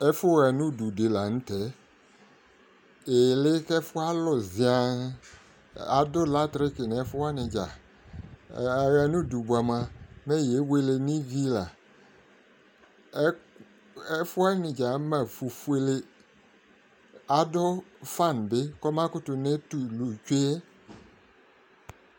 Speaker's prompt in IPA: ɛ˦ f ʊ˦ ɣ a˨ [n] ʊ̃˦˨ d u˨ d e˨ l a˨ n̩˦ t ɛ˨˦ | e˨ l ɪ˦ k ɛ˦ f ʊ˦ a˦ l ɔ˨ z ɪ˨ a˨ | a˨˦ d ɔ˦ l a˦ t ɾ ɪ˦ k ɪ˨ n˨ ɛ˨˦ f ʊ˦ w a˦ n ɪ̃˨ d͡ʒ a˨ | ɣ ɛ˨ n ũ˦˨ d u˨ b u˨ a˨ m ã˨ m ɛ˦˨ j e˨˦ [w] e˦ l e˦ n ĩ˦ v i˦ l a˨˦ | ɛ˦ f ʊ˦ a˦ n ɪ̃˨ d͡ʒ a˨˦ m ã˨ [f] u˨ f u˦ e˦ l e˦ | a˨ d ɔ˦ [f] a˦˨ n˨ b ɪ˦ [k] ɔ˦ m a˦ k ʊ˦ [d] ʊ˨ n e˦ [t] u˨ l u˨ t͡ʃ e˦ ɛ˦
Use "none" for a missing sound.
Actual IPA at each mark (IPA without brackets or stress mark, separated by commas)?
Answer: n, w, f, f, k, t, t